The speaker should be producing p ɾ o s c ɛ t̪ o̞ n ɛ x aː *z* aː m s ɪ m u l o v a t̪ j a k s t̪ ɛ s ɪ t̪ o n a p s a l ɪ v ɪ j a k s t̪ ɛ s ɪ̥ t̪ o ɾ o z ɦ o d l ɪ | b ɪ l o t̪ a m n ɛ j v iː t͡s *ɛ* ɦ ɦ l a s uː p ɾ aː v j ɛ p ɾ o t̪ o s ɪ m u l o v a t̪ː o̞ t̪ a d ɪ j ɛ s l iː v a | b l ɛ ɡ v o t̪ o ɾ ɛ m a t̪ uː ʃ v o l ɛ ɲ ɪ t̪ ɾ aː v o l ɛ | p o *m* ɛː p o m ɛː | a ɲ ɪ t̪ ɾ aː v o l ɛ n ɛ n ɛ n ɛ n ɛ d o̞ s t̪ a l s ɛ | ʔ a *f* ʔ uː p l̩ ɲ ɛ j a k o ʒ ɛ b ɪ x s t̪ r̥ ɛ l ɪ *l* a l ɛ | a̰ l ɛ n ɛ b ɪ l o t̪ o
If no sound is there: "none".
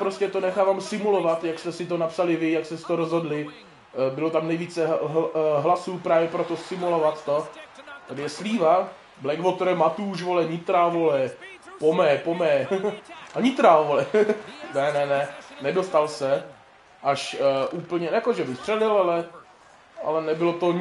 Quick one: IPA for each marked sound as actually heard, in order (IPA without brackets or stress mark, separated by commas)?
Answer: v, ɛ, m, ʃ, l